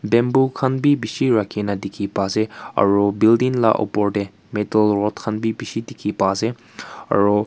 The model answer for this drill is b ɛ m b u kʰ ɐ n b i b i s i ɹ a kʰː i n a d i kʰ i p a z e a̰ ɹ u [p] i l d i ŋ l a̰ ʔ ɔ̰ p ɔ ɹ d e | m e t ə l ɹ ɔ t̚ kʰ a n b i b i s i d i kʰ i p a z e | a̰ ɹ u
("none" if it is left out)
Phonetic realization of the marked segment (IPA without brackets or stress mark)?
b